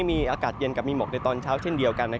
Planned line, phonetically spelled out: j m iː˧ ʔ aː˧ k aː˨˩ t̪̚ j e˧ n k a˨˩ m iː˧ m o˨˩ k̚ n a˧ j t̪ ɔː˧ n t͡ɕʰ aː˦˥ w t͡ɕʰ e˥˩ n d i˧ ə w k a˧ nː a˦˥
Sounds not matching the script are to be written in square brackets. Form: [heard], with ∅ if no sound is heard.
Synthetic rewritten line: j m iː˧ ʔ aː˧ k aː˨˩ t̪̚ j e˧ n k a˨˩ m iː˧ m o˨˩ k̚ n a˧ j t̪ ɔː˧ n t͡ɕʰ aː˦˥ w t͡ɕʰ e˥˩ n d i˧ ə w k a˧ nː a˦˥